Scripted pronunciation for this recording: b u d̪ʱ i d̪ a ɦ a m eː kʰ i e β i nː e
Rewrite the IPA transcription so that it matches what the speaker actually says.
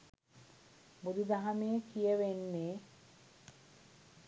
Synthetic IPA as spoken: b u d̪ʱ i d̪ a ɦ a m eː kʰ i e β e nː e

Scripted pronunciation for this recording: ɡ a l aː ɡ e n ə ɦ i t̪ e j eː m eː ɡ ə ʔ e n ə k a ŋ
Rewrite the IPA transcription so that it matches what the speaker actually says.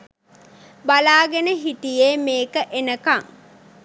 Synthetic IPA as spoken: b a l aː ɡ e n ə ɦ i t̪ i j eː m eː k ə ʔ e n ə k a ŋ

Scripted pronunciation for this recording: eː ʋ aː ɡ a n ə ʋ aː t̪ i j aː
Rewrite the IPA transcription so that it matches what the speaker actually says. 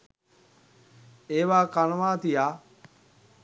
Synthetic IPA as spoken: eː ʋ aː k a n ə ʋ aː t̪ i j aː

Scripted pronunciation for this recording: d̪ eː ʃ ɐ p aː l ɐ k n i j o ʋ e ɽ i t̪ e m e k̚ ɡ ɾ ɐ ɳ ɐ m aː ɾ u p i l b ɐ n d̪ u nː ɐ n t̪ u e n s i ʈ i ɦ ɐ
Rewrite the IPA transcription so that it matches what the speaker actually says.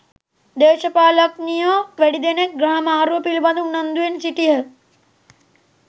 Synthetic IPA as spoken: d̪ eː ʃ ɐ p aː l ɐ k n i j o ʋ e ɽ i d̪ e n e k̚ ɡ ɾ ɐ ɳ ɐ m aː ɾ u p i l b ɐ n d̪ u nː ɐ n d̪ u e n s i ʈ i ɦ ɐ

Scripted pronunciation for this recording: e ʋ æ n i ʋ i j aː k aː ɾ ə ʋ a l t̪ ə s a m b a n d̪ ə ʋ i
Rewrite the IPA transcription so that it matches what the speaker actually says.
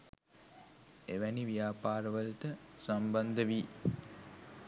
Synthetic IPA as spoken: e ʋ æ n i ʋ i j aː p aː ɾ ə ʋ ə l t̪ ə s a m b a n d̪ ə ʋ i

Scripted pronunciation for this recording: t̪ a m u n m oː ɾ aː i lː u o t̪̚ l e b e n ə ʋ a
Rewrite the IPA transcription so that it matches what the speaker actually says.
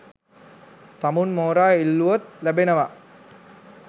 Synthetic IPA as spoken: t̪ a m u n m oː ɾ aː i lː u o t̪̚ l æ b e n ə ʋ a

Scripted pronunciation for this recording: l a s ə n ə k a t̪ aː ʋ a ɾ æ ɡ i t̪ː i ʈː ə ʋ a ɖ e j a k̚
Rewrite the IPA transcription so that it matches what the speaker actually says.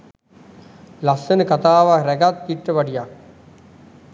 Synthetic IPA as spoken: l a s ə n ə k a t̪ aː ʋ a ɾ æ ɡ a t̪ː i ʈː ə ʋ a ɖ i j a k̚

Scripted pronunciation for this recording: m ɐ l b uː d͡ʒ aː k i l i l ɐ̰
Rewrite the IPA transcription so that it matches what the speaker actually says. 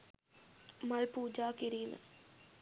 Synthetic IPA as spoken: m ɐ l p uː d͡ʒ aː k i ɾ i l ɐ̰

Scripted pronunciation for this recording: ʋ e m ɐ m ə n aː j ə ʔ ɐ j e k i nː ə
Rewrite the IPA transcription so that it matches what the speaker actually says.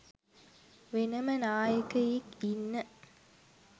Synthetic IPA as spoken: ʋ e n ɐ m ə n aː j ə k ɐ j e k i nː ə

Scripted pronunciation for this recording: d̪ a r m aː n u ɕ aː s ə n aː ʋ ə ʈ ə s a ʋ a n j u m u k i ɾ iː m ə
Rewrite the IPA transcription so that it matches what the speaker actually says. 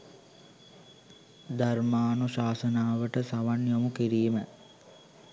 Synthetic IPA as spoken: d̪ a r m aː n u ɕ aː s ə n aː ʋ ə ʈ ə s a ʋ a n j o m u k i ɾ iː m ə

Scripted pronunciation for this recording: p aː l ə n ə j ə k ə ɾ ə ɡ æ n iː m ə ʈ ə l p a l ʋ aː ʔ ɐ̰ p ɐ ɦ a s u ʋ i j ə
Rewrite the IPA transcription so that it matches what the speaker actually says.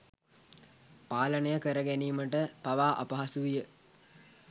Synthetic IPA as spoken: p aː l ə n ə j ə k ə ɾ ə ɡ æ n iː m ə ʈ ə p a ʋ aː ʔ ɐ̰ p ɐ ɦ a s u ʋ i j ə

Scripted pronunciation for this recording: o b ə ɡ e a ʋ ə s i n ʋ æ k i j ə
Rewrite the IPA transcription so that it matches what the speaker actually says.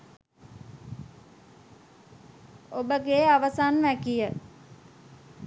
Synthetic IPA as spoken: o b ə ɡ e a ʋ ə s a n ʋ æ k i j ə

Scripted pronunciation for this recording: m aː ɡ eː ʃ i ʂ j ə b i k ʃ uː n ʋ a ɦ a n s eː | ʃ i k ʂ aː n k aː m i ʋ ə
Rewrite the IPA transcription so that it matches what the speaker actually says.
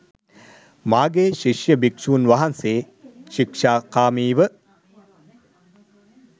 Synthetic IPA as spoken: m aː ɡ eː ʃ i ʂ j ə b i k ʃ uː n ʋ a ɦ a n s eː | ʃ i k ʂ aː k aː m iː ʋ ə

